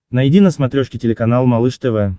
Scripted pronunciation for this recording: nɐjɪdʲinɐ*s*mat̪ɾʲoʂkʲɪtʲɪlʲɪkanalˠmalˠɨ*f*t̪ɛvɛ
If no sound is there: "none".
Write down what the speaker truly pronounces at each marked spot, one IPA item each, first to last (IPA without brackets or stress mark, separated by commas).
s, ʂ